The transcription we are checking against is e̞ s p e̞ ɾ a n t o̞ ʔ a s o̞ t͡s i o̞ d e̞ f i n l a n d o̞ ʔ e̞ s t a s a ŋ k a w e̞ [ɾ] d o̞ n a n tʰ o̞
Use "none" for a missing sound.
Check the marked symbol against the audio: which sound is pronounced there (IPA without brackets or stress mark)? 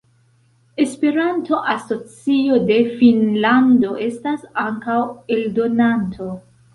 l